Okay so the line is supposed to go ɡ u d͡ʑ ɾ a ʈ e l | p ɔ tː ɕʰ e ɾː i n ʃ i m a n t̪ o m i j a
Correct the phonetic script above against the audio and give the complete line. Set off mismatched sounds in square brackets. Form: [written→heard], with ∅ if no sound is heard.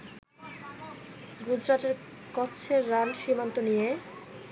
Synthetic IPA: ɡ u d͡ʑ ɾ a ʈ e [l→ɾ] | [p→k] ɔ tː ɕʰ e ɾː [i→a] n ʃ i m a n t̪ o [m→n] i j [a→e]